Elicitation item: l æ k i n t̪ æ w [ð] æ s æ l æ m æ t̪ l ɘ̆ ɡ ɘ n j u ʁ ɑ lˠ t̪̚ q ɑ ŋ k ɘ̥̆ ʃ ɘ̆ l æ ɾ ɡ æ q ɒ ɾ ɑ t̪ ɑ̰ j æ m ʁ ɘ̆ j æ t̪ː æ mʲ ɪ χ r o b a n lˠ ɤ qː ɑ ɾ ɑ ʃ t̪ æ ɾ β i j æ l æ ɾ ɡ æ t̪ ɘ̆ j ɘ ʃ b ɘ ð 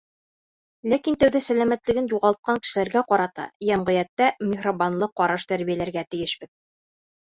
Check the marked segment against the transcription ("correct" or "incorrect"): correct